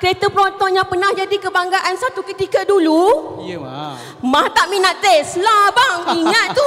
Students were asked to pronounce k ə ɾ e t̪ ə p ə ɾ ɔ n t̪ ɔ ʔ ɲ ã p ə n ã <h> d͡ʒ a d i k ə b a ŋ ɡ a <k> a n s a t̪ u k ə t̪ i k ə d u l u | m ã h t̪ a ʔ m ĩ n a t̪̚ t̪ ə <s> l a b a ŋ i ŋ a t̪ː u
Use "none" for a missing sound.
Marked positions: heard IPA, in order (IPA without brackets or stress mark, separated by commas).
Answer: h, ʔ, s